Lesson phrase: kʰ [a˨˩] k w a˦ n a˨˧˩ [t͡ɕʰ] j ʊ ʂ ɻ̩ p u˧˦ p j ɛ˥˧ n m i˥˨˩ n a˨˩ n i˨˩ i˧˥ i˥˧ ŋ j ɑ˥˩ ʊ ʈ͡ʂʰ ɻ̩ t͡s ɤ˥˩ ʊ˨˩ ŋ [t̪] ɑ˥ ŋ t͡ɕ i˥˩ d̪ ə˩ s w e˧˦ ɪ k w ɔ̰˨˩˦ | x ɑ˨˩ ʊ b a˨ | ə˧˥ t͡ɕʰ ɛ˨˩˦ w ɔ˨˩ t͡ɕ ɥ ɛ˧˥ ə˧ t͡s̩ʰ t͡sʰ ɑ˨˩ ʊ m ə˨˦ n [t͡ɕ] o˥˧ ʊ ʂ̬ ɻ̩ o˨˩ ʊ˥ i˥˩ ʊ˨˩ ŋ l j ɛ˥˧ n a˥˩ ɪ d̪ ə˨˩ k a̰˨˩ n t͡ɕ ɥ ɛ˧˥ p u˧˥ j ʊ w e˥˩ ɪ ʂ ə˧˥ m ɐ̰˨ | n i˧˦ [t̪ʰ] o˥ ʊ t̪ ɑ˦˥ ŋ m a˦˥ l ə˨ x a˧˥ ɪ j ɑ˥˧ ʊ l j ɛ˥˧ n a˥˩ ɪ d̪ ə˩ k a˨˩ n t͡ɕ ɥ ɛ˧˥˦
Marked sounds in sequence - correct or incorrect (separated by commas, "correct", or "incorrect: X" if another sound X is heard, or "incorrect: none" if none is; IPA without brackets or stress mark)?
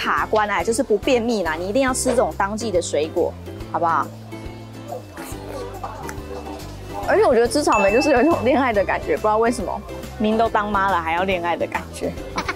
correct, incorrect: t͡ɕ, correct, correct, incorrect: t̪